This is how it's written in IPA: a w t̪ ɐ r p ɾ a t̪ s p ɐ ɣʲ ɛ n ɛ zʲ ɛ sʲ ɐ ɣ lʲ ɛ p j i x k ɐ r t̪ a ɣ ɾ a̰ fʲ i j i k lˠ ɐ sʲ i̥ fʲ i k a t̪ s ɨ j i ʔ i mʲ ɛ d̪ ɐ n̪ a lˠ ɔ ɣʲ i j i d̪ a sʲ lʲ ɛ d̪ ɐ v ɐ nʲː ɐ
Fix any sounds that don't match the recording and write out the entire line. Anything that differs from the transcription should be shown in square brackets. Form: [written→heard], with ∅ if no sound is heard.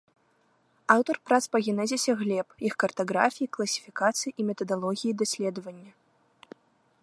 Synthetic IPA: a w t̪ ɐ r p ɾ a t̪ s p ɐ ɣʲ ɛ n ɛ zʲ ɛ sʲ ɐ ɣ lʲ ɛ p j i x k ɐ r t̪ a ɣ ɾ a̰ fʲ i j i k lˠ ɐ sʲ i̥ fʲ i k a t̪ s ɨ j i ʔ i mʲ ɛ [d̪→t̪] ɐ [n̪→d̪] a lˠ ɔ ɣʲ i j i d̪ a sʲ lʲ ɛ d̪ ɐ v ɐ nʲː ɐ

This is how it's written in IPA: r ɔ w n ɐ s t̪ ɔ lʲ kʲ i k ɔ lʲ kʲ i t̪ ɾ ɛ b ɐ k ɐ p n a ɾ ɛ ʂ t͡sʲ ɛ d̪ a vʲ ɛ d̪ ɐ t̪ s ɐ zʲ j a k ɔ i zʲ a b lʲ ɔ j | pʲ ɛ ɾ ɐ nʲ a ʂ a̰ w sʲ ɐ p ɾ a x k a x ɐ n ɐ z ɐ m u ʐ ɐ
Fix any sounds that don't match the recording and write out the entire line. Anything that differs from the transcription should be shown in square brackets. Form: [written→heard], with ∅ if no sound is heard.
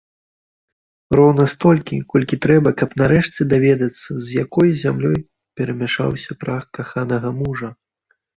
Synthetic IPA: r ɔ w n ɐ s t̪ ɔ lʲ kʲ i k ɔ lʲ kʲ i t̪ ɾ ɛ b ɐ k ɐ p n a ɾ ɛ ʂ t͡sʲ ɛ d̪ a vʲ ɛ d̪ ɐ t̪ [s→sː] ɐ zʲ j a k ɔ [i→j] zʲ a [b→m] lʲ ɔ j | pʲ ɛ ɾ ɐ [nʲ→mʲ] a ʂ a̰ w sʲ ɐ p ɾ a x k a x [ɐ→a] n ɐ [z→ɣ] ɐ m u ʐ ɐ

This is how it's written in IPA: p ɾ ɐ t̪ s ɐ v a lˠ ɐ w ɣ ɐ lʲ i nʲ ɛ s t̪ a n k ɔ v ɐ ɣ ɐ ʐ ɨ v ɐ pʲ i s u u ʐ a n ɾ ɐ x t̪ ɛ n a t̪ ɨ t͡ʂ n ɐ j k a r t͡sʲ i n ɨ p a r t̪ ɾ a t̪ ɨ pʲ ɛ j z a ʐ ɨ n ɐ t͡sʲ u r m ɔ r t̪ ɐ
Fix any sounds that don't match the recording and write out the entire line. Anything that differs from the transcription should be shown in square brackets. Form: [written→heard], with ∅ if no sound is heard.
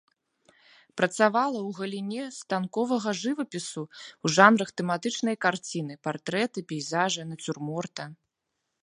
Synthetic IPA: p ɾ ɐ t̪ s [ɐ→a] v a lˠ ɐ w ɣ ɐ lʲ i nʲ ɛ s t̪ a n k ɔ v ɐ ɣ ɐ ʐ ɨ v ɐ pʲ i s u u ʐ a n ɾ ɐ x t̪ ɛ [n→m] a t̪ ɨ t͡ʂ n ɐ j k a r t͡sʲ i n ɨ p a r t̪ ɾ [a→ɛ] t̪ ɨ pʲ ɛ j z a ʐ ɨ n ɐ t͡sʲ u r m ɔ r t̪ ɐ

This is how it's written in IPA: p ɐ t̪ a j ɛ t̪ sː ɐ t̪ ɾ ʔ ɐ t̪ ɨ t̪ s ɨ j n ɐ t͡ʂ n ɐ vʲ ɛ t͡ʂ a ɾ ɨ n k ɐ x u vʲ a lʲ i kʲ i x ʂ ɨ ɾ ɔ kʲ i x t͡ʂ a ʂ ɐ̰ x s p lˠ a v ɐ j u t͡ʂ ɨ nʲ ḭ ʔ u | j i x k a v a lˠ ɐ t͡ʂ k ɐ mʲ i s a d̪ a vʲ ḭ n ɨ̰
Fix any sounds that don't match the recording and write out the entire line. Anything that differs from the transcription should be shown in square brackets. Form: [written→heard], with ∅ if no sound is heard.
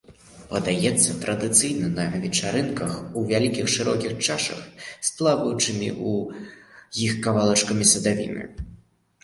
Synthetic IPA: p ɐ [t̪→d̪] a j ɛ t̪ sː ɐ t̪ ɾ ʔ ɐ [t̪→d̪] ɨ t̪ s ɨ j n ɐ [t͡ʂ→∅] n ɐ vʲ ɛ t͡ʂ a ɾ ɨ n k ɐ x u vʲ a lʲ i kʲ i x ʂ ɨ ɾ ɔ kʲ i x t͡ʂ a ʂ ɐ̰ x s p lˠ a v ɐ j u t͡ʂ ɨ [nʲ→mʲ] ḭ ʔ u | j i x k a v a lˠ ɐ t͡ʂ k ɐ mʲ i s [a→ɐ] d̪ a vʲ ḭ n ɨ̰

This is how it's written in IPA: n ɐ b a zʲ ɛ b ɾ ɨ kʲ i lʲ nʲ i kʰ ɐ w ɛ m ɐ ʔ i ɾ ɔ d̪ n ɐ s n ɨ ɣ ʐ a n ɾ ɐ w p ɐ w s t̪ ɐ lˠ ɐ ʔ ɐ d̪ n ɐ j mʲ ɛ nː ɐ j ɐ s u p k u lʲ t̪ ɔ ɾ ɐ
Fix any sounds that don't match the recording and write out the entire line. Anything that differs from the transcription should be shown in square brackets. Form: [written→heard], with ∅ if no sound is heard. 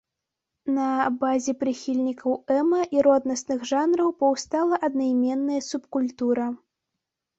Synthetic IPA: n ɐ b a zʲ ɛ [b→p] ɾ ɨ [kʲ→xʲ] i lʲ nʲ i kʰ ɐ w ɛ m ɐ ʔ i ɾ ɔ d̪ n ɐ s n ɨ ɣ ʐ a n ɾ ɐ w p ɐ w s t̪ [ɐ→a] lˠ ɐ ʔ ɐ d̪ n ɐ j mʲ ɛ nː ɐ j ɐ s u p k u lʲ t̪ [ɔ→u] ɾ ɐ

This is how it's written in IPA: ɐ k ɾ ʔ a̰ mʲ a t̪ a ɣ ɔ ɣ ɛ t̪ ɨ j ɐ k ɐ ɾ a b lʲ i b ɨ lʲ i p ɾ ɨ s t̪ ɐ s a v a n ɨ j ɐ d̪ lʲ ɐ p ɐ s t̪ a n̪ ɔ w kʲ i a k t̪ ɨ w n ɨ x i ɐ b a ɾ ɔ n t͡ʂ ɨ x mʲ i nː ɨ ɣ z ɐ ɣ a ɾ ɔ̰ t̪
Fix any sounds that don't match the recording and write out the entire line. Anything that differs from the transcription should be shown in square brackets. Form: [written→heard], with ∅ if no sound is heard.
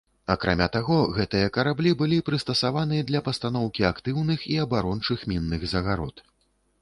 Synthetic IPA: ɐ k ɾ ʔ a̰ mʲ a t̪ a ɣ ɔ ɣ ɛ t̪ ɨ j ɐ k ɐ ɾ a b lʲ i b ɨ lʲ i p ɾ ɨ s t̪ ɐ s a v a n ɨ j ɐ d̪ lʲ ɐ p ɐ s t̪ a n̪ ɔ w kʲ i a k t̪ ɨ w n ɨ x i ɐ b a ɾ ɔ n t͡ʂ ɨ x mʲ i nː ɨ ɣ z ɐ ɣ a ɾ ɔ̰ t̪

